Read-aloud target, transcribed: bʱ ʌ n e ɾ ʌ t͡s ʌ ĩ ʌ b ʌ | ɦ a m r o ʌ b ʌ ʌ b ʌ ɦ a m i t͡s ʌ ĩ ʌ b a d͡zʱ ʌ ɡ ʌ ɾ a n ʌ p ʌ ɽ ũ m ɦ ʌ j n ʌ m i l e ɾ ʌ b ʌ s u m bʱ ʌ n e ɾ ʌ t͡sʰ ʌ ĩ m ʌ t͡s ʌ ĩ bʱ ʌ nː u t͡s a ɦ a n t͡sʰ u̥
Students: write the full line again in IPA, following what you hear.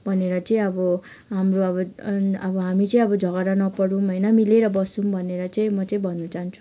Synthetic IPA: bʱ ʌ n e ɾ ʌ t͡s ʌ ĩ ʌ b ʌ | ɦ a m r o ʌ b ʌ ʌ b ʌ ɦ a m i t͡s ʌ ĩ ʌ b ʌ d͡zʱ ʌ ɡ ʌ ɾ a n ʌ p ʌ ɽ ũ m ɦ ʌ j n ʌ m i l e ɾ ʌ b ʌ s u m bʱ ʌ n e ɾ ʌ t͡s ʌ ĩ m ʌ t͡s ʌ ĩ bʱ ʌ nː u t͡s a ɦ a n t͡sʰ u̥

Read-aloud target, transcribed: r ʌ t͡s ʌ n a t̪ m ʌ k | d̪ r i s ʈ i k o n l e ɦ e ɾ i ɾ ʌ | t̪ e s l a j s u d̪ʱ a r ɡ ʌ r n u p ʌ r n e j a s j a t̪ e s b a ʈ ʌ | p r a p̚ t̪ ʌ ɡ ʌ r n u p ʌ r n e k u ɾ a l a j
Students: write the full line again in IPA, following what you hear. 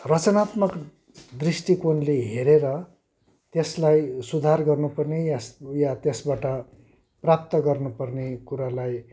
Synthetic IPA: r ʌ t͡s ʌ n a t̪ m ʌ k | d̪ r i s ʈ i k o n l e ɦ e ɾ e ɾ ʌ | t̪ e s l a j s u d̪ʱ a r ɡ ʌ r n u p ʌ r n e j a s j a t̪ e s b a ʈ ʌ | p r a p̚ t̪ ʌ ɡ ʌ r n u p ʌ r n e k u ɾ a l a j

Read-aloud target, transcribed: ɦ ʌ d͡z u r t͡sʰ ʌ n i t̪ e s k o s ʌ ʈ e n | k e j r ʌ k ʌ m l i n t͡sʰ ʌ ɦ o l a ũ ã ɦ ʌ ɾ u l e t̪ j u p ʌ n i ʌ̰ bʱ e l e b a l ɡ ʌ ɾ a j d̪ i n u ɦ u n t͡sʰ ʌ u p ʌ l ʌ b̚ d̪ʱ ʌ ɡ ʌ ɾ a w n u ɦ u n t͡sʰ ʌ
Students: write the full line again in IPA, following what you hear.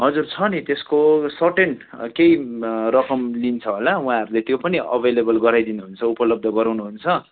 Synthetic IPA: ɦ ʌ d͡z u r t͡sʰ ʌ n i t̪ e s k o s ʌ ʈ e n | k e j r ʌ k ʌ m l i n t͡sʰ ʌ ɦ o l a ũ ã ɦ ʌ ɾ u l e t̪ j o p ʌ n i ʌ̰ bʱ e l e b ʌ l ɡ ʌ ɾ a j d̪ i n u ɦ u n t͡sʰ ʌ u p ʌ l ʌ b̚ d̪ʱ ʌ ɡ ʌ ɾ a w n u ɦ u n t͡sʰ ʌ

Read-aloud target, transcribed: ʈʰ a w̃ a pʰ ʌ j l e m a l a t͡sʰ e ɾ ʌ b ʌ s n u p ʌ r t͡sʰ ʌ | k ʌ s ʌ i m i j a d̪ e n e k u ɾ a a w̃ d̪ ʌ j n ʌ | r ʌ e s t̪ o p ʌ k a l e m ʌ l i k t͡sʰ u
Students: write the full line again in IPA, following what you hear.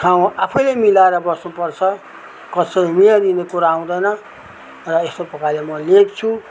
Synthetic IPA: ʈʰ a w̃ a pʰ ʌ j l e m i l a e ɾ ʌ b ʌ s n u p ʌ r t͡sʰ ʌ | k ʌ s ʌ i m i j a d̪ i n e k u ɾ a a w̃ d̪ ʌ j n ʌ | r ʌ e s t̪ o p ʌ k a l e m ʌ l e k t͡sʰ u

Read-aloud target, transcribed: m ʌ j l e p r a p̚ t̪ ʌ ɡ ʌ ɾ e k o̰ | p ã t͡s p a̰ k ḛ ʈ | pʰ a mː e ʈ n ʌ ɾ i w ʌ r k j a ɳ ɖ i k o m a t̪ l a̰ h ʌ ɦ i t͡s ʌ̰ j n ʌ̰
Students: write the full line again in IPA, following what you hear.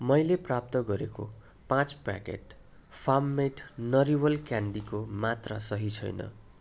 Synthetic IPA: m ʌ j l e p r a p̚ t̪ ʌ ɡ ʌ ɾ e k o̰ | p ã t͡s p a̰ k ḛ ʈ | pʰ a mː e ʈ n ʌ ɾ i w ʌ l k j a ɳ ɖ i k o m a t̪ r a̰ s ʌ ɦ i t͡sʰ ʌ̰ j n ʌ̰

